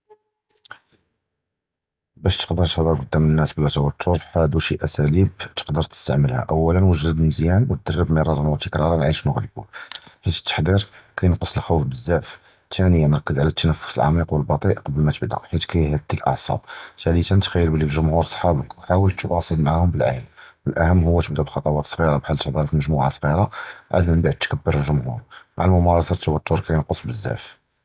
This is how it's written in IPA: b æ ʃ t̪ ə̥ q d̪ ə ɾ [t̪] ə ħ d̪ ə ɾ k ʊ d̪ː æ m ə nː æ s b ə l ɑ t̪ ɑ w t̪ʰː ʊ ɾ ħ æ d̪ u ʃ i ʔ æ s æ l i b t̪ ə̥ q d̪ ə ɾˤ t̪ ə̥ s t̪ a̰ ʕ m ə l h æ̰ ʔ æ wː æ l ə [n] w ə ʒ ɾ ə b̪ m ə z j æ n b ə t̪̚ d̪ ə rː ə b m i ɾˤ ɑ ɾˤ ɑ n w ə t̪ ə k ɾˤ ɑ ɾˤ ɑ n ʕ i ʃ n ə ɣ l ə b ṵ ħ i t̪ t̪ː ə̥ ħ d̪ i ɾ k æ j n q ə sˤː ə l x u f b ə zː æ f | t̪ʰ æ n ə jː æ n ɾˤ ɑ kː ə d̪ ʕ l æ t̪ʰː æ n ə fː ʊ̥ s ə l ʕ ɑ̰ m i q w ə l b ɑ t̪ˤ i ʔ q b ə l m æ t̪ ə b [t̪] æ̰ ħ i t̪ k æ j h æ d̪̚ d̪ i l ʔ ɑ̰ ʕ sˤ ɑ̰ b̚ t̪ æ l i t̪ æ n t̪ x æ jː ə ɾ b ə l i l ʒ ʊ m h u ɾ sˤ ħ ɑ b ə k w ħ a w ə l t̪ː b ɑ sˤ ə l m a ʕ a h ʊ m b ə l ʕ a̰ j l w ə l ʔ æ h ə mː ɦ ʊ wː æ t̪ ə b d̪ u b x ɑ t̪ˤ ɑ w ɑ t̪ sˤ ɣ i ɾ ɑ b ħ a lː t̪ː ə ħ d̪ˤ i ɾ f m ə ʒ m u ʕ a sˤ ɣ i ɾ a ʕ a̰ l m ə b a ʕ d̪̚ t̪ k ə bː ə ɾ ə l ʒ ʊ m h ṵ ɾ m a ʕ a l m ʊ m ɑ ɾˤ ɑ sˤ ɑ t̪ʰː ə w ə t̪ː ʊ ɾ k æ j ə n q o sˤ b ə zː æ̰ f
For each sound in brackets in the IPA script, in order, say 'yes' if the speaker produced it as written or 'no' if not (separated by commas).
yes, yes, no